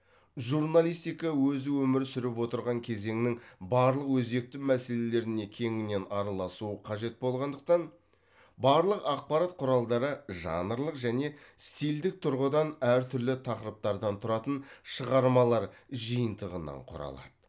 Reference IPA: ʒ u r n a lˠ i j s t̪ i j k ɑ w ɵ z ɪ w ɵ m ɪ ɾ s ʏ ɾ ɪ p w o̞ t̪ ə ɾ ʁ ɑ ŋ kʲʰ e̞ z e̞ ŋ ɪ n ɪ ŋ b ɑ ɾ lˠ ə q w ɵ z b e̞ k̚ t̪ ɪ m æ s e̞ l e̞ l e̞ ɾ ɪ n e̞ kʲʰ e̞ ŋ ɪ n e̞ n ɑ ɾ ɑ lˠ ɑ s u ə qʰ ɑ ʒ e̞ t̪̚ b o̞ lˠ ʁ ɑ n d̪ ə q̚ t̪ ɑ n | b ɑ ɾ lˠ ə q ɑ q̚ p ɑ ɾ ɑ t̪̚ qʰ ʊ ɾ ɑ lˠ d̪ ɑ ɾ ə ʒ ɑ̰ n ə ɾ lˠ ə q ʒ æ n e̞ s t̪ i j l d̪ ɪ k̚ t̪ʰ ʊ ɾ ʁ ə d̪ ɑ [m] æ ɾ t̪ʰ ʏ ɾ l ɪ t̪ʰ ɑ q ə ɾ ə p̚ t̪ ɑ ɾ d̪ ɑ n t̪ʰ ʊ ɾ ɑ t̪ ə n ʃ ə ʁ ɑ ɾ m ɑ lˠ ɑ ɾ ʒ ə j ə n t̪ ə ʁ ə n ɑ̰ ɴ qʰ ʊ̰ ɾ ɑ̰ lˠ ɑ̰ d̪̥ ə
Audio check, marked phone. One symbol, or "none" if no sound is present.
n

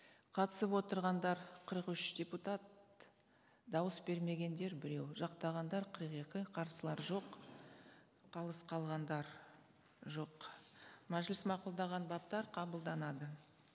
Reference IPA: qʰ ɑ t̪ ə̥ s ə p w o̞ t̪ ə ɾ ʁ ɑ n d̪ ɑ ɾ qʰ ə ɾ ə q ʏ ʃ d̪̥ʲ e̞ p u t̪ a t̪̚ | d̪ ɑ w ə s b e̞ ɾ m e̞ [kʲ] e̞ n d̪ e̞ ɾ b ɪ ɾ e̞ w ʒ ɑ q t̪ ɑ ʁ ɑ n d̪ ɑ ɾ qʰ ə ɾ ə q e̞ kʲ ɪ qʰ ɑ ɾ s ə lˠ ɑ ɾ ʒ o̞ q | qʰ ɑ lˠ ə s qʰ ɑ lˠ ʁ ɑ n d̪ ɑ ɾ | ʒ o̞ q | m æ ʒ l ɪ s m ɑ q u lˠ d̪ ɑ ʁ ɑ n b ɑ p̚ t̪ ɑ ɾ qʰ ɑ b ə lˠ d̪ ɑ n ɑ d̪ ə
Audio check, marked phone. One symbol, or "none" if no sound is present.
ɡʲ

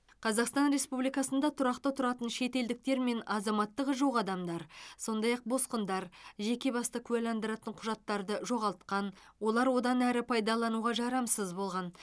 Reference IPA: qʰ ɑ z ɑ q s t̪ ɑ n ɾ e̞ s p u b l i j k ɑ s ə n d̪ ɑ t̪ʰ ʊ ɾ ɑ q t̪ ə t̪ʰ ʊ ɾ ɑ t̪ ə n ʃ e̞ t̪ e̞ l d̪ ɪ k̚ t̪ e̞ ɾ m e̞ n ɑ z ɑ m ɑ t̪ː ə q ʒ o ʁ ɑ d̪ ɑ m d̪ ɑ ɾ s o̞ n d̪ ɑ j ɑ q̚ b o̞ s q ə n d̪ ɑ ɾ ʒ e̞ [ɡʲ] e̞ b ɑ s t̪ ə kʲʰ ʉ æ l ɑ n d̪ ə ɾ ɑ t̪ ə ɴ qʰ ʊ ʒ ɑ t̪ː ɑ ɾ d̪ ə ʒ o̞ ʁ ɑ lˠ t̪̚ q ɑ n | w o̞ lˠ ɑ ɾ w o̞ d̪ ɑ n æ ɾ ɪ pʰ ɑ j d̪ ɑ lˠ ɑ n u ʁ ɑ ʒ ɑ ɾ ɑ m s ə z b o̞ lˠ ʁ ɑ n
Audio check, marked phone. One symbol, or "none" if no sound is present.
kʲ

